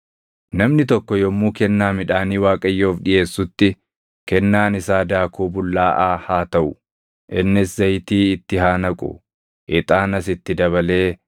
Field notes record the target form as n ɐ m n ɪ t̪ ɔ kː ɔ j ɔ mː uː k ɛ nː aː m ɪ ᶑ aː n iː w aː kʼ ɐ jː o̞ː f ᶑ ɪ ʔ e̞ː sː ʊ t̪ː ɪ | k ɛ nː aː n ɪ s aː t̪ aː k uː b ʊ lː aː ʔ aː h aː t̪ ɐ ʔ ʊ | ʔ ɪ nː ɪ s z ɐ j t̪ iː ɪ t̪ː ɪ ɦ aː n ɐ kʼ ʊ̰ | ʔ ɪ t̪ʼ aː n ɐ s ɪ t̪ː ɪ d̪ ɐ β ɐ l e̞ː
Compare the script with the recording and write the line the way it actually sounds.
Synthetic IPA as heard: n ɐ m n ɪ t̪ ɔ kː ɔ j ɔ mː uː k ɛ nː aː m ɪ ᶑ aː n iː w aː kʼ ɐ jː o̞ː f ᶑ ɪ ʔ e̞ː sː ʊ t̪ː ɪ | k ɛ nː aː n ɪ s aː d̪ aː k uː b ʊ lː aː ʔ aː h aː t̪ ɐ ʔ ʊ | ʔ ɪ nː ɪ s z ɐ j t̪ iː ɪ t̪ː ɪ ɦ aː n ɐ kʼ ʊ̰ | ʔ ɪ t̪ʼ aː n ɐ s ɪ t̪ː ɪ d̪ ɐ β ɐ l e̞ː

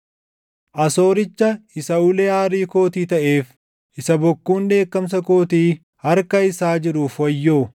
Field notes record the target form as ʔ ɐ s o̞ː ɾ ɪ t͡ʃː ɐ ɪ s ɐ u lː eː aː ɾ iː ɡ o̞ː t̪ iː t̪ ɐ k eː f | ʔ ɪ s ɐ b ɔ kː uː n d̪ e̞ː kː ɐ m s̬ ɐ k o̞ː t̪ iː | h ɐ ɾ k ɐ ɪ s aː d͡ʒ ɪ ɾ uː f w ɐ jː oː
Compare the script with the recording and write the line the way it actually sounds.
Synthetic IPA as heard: ʔ ɐ s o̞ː ɾ ɪ t͡ʃː ɐ ɪ s ɐ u l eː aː ɾ iː k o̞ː t̪ iː t̪ ɐ ʔ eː f | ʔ ɪ s ɐ b ɔ kː uː n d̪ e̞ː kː ɐ m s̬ ɐ k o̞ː t̪ iː | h ɐ ɾ k ɐ ɪ s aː d͡ʒ ɪ ɾ uː f w ɐ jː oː

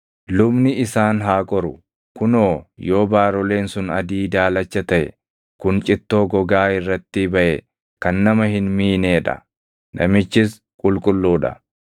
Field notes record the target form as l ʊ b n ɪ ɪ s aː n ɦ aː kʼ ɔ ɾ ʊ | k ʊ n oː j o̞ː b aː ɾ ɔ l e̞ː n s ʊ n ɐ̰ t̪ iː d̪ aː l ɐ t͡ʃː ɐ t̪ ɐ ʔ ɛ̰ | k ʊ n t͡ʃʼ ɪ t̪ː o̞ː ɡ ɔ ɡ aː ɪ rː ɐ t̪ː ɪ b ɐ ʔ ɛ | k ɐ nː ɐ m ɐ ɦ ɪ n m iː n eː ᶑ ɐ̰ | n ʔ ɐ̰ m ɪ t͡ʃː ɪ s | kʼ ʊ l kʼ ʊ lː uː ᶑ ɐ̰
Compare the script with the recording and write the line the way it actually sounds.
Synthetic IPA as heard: l ʊ b n ɪ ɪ s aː n ɦ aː kʼ ɔ ɾ ʊ | k ʊ n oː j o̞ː b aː ɾ ɔ l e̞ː n s ʊ n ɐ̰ d̪ iː d̪ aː l ɐ t͡ʃː ɐ t̪ ɐ ʔ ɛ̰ | k ʊ n t͡ʃʼ ɪ t̪ː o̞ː ɡ ɔ ɡ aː ɪ rː ɐ t̪ː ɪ b ɐ ʔ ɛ | k ɐ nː ɐ m ɐ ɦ ɪ n m iː n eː ᶑ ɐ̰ | n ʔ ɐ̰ m ɪ t͡ʃː ɪ s | kʼ ʊ l kʼ ʊ lː uː ᶑ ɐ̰

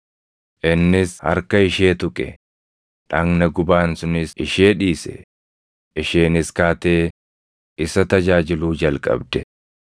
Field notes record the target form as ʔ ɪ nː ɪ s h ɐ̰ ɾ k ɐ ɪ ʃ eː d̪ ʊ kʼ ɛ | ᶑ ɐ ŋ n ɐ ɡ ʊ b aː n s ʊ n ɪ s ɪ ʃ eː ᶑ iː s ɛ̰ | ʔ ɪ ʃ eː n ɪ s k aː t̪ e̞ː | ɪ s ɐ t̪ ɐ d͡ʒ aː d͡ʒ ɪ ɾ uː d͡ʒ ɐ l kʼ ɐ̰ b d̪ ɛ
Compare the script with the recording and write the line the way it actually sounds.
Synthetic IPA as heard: ʔ ɪ nː ɪ s h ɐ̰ ɾ k ɐ ɪ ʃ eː t̪ ʊ kʼ ɛ | ᶑ ɐ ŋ n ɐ ɡ ʊ b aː n s ʊ n ɪ s ɪ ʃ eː ᶑ iː s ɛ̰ | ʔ ɪ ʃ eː n ɪ s k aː t̪ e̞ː | ɪ s ɐ t̪ ɐ d͡ʒ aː d͡ʒ ɪ l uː d͡ʒ ɐ l kʼ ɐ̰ b d̪ ɛ

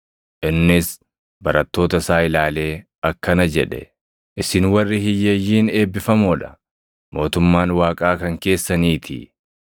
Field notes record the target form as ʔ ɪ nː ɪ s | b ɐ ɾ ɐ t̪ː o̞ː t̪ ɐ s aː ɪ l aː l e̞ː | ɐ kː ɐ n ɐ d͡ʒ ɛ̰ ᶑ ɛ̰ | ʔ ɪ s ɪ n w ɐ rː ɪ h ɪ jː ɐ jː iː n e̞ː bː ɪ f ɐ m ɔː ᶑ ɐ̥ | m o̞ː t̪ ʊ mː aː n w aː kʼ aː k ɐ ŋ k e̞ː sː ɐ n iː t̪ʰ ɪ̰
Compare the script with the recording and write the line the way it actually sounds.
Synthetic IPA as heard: ʔ ɪ nː ɪ s | b ɐ ɾ ɐ t̪ː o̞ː t̪ ɐ s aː ɪ l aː l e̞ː | ɐ kː ɐ n ɐ d͡ʒ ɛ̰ ᶑ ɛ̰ | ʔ ɪ s ɪ n w ɐ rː ɪ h ɪ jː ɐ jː iː n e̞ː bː ɪ f ɐ m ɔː ᶑ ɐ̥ | m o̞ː t̪ ʊ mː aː n w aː kʼ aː k ɐ ŋ k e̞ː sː ɐ n iː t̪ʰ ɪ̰

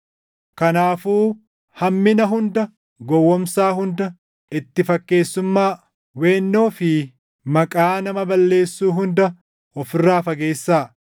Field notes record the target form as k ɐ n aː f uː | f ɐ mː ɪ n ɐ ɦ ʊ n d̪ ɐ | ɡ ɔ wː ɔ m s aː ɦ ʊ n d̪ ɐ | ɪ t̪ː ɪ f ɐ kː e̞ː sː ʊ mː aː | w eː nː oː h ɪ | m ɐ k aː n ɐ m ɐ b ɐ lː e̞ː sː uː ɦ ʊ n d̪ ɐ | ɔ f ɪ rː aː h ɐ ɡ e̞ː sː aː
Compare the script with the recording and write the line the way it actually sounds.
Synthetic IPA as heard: k ɐ n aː f uː | h ɐ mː ɪ n ɐ ɦ ʊ n d̪ ɐ | ɡ ɔ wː ɔ m s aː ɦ ʊ n d̪ ɐ | ɪ t̪ː ɪ f ɐ kː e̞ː sː ʊ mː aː | w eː nː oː f ɪ | m ɐ kʼ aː n ɐ m ɐ b ɐ lː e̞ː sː uː ɦ ʊ n d̪ ɐ | ɔ f ɪ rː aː f ɐ ɡ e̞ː sː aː

